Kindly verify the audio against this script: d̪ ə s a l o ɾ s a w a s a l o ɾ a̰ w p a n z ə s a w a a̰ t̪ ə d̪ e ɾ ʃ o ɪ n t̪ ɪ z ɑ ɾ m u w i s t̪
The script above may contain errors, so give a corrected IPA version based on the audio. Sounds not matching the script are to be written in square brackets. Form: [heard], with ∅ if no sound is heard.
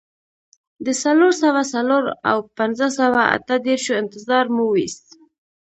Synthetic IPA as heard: d̪ ə s a l o ɾ s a w a s a l o ɾ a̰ w p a n z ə s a w a a̰ t̪ ə d̪ e ɾ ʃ o ɪ n t̪ ɪ z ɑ ɾ m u w i s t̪